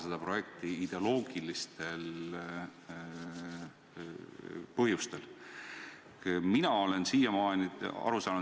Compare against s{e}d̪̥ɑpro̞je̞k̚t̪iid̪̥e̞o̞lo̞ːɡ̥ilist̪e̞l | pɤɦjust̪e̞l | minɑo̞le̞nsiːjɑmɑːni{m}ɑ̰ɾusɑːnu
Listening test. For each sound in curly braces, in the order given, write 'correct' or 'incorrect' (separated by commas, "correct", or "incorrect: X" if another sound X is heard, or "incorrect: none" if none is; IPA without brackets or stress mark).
correct, incorrect: none